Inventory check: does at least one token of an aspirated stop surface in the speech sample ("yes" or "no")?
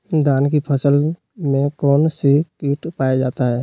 yes